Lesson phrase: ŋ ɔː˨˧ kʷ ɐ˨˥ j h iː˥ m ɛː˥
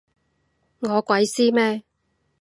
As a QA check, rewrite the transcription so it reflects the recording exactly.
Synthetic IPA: ŋ ɔː˨˧ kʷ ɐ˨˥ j s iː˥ m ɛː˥